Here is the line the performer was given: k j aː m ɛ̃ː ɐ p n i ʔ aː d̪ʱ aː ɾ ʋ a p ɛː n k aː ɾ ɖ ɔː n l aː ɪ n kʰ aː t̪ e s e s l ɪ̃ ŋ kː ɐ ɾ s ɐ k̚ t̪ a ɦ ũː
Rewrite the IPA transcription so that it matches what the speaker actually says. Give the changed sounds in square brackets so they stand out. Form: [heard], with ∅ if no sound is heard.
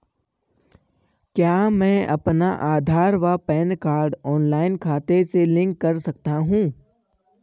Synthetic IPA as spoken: k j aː m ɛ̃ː ɐ p n [a] ʔ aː d̪ʱ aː ɾ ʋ a p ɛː n k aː ɾ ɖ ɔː n l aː ɪ n kʰ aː t̪ e s e [∅] l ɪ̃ ŋ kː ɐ ɾ s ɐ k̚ t̪ a ɦ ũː